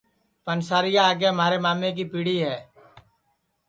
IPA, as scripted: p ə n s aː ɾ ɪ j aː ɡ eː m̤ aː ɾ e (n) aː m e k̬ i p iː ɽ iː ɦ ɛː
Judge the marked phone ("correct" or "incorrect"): incorrect